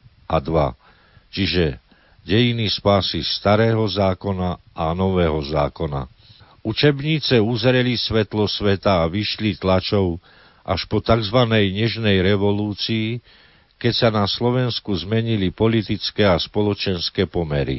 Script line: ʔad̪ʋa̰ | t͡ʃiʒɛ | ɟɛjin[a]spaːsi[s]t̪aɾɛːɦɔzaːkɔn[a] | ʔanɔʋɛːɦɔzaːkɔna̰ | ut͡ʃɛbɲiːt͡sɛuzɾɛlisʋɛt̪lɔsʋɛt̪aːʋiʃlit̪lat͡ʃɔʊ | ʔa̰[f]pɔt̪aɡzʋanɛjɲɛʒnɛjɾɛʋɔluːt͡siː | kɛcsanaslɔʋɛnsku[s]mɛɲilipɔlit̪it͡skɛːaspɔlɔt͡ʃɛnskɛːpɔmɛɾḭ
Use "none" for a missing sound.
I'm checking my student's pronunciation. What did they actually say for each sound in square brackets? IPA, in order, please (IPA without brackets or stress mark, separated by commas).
i, s, a, ʃ, z